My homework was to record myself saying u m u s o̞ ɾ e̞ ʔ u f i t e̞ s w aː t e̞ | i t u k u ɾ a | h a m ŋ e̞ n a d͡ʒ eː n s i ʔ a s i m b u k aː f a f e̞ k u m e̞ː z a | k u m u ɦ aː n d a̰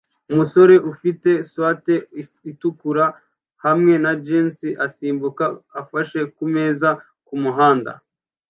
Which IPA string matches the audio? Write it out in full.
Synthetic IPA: u m u s o̞ ɾ e̞ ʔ u f i t e̞ s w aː t e̞ | i t u k u ɾ a | h a m ŋ e̞ n a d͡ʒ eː n s i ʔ a s iː m b u k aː f a ʃ e̞ k u m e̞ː z a | k u m u ɦ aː n d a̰